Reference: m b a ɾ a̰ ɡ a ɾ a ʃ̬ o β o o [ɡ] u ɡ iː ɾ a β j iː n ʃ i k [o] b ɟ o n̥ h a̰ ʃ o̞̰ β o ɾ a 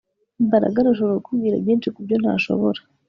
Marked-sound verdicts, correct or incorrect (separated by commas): incorrect, incorrect